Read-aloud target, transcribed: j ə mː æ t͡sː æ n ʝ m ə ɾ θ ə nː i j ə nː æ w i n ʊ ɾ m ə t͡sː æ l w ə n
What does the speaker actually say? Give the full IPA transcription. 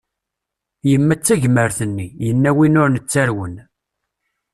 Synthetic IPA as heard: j ə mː æ t͡sː æ ʝ m ə ɾ θ ə nː i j ə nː æ w i n ʊ ɾ n ə t͡sː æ ɾ w ə n